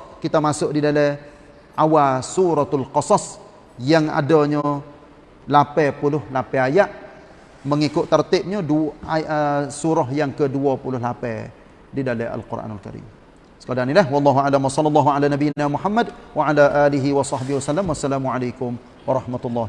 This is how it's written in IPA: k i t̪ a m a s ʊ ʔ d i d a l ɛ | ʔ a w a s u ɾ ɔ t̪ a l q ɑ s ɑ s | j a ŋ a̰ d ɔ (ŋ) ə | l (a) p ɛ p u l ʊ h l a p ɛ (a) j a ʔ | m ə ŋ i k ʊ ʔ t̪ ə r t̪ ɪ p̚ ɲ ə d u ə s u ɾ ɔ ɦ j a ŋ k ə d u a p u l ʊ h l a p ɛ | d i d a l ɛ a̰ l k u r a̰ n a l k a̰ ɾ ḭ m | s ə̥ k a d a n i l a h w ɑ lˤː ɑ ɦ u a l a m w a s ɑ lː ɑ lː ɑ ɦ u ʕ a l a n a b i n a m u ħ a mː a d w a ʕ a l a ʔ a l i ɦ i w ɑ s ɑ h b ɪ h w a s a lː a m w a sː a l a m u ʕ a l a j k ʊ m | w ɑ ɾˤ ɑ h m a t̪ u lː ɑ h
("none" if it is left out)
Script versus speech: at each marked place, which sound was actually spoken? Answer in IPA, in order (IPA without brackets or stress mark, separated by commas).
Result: ɲ, a, a